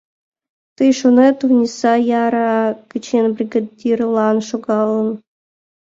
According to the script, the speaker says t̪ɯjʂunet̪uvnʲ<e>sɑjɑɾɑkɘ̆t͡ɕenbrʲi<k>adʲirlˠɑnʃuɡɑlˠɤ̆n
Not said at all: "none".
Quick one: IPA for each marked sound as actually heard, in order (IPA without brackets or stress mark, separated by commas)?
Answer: i, ɡ